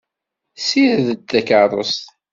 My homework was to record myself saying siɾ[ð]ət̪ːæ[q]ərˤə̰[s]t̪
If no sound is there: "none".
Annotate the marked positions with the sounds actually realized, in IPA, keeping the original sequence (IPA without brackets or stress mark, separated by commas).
ð, k, s